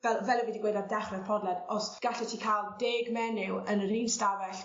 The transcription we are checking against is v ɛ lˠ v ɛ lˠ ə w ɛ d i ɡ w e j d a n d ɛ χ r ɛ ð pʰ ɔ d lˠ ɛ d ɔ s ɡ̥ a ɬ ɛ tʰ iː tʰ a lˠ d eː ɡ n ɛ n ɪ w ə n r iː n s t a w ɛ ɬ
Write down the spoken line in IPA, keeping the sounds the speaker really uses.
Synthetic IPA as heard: v ɛ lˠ v ɛ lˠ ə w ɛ d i ɡ w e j d a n d ɛ χ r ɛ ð pʰ ɔ d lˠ ɛ d ɔ s ɡ̥ a ɬ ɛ tʰ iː kʰ a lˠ d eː ɡ m ɛ n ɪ w ə n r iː n s t a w ɛ ɬ